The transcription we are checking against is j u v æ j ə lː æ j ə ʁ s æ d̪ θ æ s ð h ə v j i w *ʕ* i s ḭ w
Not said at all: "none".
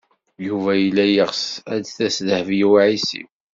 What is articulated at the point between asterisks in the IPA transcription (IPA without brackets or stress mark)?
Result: ʕ